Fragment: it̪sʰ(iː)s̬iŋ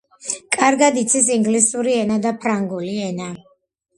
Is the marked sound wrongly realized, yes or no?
yes